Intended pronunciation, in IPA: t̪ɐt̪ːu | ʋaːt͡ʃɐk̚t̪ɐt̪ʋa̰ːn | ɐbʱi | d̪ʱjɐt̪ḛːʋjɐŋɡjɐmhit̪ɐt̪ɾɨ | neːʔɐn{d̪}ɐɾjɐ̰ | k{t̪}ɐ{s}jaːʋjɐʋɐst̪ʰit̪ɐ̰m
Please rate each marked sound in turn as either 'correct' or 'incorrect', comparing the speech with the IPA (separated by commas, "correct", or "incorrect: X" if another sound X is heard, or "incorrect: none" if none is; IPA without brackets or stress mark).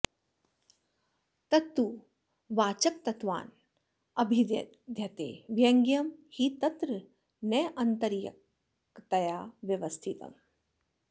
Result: incorrect: t̪, correct, incorrect: none